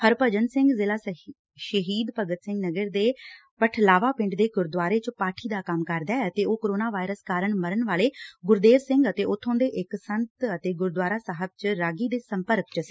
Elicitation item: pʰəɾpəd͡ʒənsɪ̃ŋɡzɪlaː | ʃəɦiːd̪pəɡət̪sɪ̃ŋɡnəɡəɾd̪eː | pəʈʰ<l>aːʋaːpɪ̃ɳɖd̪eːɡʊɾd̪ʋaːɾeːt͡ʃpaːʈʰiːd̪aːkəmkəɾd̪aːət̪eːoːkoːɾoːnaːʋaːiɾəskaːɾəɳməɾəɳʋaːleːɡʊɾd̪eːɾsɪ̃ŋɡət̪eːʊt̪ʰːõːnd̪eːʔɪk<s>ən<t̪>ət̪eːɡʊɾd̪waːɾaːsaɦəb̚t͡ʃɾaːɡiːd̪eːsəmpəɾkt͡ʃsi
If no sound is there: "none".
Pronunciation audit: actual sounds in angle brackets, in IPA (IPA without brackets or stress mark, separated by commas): l, s, t̪